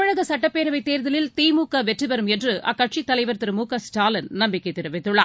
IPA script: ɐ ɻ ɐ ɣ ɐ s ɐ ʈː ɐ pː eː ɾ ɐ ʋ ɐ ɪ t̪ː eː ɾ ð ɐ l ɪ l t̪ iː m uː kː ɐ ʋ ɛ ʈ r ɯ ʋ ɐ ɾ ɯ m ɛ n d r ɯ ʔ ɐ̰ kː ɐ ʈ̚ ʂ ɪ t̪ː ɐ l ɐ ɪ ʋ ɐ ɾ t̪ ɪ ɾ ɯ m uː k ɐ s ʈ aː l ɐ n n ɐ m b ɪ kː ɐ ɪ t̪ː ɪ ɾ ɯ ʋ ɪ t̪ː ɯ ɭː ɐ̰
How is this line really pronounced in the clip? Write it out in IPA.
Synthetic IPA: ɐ ɻ ɐ ɣ ɐ s ɐ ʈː ɐ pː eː ɾ ɐ ʋ ɐ ɪ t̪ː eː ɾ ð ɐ l ɪ l t̪ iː m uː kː ɐ ʋ ɛ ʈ r ɯ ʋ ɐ ɾ ɯ m ɛ n d r ɯ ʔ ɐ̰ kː ɐ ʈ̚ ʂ i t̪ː ɐ l ɐ ɪ ʋ ɐ ɾ t̪ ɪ ɾ ɯ m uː k ɐ s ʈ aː l ɐ n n ɐ m b ɪ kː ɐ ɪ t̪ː ɪ ɾ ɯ ʋ ɪ t̪ː ɯ ɭː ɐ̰